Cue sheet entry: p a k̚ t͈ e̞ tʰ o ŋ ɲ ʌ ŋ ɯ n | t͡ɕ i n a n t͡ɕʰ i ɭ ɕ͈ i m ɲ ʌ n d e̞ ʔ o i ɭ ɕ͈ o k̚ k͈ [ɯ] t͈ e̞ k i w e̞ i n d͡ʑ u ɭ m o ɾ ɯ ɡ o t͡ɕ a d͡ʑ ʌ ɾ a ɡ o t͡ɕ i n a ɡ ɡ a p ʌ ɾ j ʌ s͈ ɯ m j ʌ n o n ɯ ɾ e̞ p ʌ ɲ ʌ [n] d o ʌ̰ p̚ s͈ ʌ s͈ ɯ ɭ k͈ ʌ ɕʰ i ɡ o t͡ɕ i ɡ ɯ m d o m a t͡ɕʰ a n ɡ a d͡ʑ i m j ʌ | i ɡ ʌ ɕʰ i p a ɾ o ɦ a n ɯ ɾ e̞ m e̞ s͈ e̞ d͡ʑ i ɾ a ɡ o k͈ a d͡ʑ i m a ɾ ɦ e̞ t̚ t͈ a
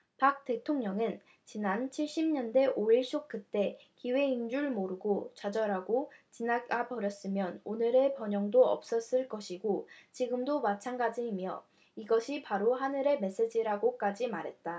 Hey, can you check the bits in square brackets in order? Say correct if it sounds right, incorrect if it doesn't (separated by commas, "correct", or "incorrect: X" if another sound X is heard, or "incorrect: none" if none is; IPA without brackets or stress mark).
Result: correct, incorrect: ŋ